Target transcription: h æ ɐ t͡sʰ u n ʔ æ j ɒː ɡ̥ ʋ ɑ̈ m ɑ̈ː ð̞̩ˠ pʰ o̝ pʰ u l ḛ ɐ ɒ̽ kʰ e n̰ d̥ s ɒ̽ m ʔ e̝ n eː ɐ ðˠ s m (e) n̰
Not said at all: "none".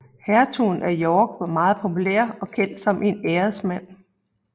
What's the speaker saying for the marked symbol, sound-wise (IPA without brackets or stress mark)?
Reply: æ